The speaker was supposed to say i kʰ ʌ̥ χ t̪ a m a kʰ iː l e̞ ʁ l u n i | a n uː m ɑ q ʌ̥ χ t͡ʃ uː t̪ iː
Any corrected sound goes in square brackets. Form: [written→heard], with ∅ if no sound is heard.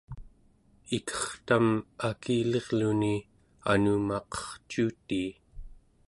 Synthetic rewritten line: i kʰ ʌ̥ χ t̪ a m a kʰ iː l e̞ ʁ l u n i | a n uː m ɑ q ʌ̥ χ t͡ʃ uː t̪ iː